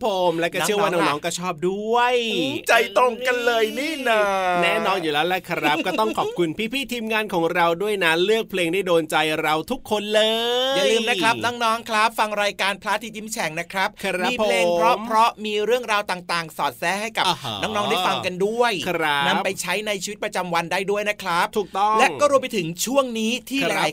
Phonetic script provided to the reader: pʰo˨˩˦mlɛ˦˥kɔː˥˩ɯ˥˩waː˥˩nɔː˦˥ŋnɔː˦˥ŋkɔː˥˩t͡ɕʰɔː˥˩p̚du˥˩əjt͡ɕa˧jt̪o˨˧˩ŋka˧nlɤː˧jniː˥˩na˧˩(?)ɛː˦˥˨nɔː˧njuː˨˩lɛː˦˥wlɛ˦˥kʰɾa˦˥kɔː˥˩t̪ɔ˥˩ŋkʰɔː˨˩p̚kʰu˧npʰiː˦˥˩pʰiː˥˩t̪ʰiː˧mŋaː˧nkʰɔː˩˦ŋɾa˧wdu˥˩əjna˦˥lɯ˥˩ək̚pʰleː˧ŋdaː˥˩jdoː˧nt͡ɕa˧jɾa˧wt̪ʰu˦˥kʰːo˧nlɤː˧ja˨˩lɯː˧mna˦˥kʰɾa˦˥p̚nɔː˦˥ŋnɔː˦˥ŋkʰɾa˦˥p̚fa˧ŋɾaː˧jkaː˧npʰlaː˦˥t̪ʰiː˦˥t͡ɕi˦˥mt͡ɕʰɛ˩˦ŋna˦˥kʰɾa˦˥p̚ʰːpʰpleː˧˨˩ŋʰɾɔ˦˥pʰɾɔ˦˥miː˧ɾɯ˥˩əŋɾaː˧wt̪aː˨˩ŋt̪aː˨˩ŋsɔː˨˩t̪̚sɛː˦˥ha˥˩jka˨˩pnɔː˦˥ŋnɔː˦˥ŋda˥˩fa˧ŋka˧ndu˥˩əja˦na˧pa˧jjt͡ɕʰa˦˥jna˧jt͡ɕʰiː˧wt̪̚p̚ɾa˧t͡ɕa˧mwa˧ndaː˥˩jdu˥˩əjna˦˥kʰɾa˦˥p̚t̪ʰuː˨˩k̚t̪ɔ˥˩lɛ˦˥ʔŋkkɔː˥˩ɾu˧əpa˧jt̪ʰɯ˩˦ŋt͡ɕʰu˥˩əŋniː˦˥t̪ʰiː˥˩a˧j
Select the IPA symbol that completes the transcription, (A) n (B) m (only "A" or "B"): A